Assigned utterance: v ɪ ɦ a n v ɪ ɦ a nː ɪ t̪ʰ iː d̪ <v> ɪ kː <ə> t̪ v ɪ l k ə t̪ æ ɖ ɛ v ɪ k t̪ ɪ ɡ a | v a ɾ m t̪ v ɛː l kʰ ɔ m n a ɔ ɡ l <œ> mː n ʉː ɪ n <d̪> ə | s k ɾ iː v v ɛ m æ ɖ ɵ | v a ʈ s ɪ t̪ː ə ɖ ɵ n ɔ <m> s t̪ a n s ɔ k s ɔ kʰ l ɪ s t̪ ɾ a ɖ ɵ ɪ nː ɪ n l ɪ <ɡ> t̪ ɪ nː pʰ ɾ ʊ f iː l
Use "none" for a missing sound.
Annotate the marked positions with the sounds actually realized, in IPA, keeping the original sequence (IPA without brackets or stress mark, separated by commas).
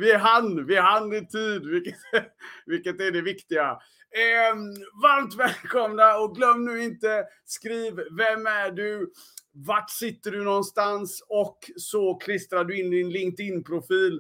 v, ə, œ, t̪, n, ŋ